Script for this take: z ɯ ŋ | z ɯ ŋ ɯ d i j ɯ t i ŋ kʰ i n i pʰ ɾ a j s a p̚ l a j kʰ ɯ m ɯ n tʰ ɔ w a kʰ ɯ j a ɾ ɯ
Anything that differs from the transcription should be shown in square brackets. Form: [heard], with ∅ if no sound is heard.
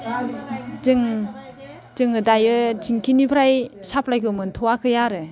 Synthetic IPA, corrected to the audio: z ɯ ŋ | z ɯ ŋ ɯ d [a] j ɯ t i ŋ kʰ i n i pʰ ɾ a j s a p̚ l a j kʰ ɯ m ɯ n tʰ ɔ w a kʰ ɯ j a ɾ ɯ